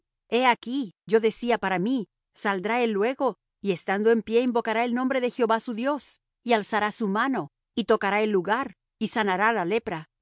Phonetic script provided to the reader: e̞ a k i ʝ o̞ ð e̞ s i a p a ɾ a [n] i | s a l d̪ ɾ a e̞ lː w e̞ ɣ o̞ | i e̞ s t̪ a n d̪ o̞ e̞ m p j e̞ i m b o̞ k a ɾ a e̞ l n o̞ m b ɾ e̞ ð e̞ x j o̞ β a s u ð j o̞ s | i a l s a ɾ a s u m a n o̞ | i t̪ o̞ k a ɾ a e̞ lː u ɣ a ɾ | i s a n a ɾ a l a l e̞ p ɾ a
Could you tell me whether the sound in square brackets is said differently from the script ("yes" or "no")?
yes